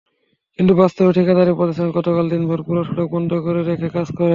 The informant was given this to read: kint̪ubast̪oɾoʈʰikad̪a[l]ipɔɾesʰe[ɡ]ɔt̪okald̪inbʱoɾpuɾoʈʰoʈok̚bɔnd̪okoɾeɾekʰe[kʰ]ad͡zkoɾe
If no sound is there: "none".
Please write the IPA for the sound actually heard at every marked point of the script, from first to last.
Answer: ɾ, ɡ, k

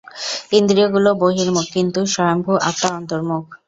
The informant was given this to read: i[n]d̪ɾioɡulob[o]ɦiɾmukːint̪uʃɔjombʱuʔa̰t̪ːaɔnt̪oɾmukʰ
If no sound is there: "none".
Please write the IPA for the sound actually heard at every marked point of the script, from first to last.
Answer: n, o

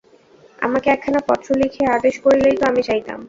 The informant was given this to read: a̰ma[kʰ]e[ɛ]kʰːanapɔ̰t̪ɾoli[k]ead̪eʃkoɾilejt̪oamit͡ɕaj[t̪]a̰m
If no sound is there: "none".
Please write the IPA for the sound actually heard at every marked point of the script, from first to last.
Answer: k, ɛ, kʰ, t̪

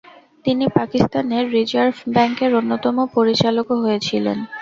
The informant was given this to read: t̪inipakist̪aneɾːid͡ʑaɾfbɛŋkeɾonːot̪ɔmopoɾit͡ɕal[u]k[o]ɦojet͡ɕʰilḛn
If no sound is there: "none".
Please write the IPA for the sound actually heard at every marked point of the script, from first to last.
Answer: o, o

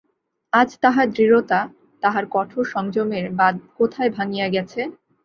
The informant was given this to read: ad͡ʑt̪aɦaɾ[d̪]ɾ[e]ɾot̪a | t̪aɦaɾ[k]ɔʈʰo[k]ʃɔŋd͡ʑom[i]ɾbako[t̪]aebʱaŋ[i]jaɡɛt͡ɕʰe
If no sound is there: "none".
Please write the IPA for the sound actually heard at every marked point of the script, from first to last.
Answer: d̪, i, k, none, e, t̪ʰ, i

